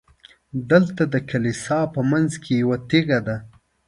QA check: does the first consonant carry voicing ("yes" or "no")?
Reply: yes